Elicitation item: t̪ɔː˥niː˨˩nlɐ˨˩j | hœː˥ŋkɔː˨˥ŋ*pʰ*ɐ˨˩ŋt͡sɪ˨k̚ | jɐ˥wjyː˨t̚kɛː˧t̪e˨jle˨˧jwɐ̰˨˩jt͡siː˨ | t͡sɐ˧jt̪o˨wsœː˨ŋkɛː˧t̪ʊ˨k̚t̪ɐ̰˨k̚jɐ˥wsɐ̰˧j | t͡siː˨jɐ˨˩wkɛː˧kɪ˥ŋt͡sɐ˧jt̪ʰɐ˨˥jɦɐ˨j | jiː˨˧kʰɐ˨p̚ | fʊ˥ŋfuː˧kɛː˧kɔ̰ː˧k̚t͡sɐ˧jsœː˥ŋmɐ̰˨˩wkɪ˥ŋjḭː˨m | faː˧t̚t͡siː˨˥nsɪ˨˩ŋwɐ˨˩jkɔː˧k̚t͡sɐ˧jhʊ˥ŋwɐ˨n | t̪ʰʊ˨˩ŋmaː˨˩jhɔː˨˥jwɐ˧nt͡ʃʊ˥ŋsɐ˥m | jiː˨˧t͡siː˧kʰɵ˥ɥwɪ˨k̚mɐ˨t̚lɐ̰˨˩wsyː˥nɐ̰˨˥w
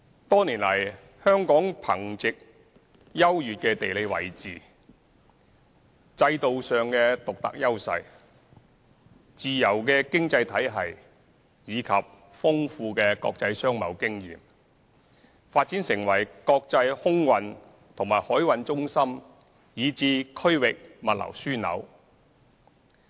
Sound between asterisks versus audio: correct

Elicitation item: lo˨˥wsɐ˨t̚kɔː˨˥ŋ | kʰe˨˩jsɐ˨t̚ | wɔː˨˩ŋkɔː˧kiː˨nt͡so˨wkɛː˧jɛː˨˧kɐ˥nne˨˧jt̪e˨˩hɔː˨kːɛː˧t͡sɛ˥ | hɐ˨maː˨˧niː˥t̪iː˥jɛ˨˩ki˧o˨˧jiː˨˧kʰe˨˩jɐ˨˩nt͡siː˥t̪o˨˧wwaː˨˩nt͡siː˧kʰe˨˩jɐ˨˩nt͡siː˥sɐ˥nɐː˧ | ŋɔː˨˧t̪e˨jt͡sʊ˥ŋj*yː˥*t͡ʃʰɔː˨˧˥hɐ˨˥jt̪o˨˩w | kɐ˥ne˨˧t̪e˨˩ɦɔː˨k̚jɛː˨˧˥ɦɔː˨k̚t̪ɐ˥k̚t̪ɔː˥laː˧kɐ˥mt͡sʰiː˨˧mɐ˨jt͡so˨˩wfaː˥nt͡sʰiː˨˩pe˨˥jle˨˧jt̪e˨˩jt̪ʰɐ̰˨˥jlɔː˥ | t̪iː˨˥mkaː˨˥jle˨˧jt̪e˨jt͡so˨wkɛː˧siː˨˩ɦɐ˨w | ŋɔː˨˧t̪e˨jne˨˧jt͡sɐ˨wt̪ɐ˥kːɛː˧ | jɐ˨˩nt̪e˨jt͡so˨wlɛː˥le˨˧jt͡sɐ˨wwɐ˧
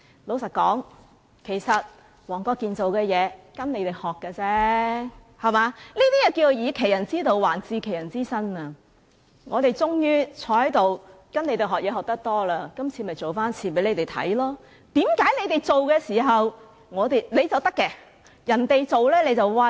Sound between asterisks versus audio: correct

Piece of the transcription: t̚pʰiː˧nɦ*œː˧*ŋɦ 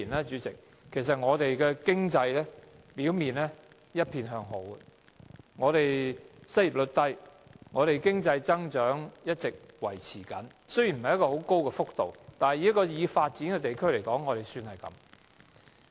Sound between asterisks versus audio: correct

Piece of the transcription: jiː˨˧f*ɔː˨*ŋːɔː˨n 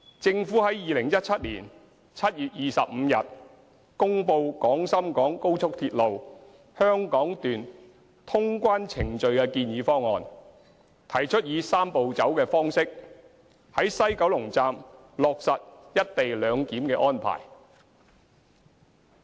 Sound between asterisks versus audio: incorrect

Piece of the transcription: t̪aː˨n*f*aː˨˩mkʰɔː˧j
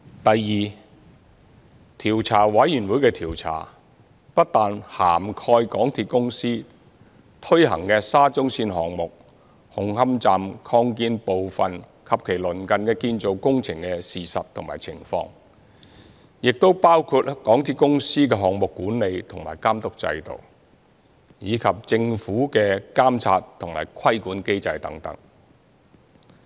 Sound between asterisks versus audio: incorrect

